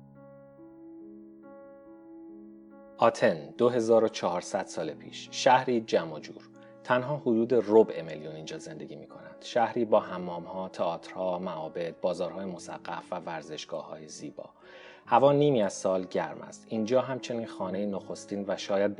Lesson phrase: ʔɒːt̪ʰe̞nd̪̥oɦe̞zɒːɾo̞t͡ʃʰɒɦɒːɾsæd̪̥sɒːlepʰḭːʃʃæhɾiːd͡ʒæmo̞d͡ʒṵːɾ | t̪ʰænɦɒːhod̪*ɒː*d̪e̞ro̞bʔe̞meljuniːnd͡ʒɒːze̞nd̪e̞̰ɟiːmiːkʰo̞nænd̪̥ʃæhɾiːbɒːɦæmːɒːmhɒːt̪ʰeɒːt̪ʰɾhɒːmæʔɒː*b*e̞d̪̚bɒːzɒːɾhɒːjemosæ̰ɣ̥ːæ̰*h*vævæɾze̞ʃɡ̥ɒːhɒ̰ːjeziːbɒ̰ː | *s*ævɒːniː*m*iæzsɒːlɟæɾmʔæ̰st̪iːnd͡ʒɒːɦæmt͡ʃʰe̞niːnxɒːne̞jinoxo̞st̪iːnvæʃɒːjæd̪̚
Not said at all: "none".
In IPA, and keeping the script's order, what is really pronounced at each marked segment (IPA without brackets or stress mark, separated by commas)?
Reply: uː, b, f, h, m